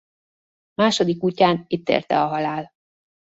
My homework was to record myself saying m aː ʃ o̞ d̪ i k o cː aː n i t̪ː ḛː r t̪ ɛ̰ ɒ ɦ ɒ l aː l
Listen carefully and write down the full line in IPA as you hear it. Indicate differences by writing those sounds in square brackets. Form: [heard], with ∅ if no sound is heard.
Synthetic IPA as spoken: m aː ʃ o̞ d̪ i k [u] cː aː n i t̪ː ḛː r t̪ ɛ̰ ɒ ɦ ɒ l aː l